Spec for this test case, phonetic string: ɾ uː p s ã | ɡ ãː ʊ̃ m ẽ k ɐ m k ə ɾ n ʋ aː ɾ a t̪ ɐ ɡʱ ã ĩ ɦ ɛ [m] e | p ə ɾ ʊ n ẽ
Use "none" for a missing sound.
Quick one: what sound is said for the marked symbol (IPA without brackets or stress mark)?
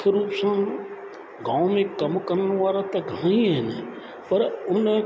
n